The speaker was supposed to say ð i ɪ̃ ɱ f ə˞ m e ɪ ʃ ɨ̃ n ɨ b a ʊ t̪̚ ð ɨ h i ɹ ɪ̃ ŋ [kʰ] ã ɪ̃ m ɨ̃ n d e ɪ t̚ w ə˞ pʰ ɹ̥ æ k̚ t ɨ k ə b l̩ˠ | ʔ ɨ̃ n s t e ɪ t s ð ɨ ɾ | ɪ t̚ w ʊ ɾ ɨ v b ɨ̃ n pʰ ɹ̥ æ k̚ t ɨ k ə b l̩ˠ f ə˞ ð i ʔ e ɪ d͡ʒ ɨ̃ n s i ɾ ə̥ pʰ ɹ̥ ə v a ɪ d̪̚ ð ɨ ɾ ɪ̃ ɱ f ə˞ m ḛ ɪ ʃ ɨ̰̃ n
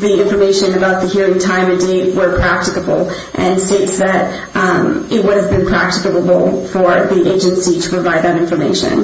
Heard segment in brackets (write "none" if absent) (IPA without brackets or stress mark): tʰ